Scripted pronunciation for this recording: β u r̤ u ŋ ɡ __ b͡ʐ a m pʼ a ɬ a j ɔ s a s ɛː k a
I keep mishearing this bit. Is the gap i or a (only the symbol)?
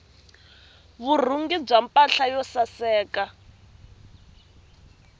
i